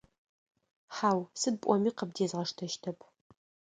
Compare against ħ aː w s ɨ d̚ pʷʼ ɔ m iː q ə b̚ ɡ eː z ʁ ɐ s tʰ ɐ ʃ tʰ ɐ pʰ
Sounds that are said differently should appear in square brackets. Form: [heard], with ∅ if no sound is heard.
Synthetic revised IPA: ħ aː w s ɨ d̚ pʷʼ ɔ m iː q ə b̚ [d] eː z ʁ ɐ [ʂ] tʰ ɐ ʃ tʰ ɐ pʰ